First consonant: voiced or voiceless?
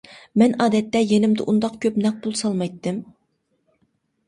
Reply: voiced